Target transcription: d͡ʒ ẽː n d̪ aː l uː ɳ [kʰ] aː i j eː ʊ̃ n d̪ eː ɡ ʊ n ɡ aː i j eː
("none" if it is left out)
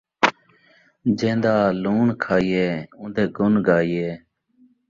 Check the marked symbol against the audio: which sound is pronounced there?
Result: kʰ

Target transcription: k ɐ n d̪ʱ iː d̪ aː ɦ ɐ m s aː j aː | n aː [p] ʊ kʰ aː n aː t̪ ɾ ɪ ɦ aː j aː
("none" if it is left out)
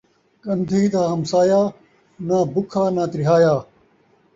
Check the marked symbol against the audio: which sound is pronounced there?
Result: b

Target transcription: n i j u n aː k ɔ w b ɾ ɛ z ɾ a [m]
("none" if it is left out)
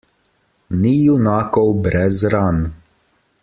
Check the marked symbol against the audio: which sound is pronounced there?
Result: n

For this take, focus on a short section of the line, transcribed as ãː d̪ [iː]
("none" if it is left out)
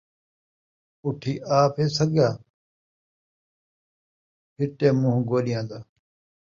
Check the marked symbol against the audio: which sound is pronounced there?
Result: aː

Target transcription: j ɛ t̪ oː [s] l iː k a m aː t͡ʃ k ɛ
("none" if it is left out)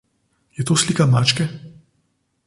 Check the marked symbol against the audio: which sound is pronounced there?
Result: s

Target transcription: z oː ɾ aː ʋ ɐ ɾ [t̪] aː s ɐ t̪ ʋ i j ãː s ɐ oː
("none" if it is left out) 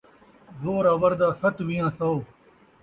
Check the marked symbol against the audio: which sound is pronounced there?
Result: d̪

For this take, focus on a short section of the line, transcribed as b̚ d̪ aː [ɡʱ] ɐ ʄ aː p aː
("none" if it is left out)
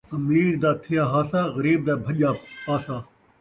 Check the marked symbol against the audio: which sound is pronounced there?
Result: bʱ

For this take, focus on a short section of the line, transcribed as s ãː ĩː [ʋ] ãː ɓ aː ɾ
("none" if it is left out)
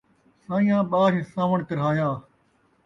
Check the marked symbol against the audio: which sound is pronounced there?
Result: none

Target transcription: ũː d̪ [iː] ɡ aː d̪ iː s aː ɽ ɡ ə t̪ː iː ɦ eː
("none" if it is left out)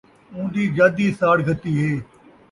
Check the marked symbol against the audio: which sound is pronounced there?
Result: iː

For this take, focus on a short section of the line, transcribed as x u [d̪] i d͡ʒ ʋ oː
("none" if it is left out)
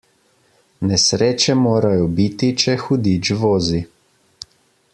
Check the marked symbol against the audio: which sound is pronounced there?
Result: d̪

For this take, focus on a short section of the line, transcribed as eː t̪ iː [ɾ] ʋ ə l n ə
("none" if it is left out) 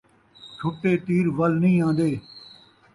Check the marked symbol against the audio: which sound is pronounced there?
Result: ɾ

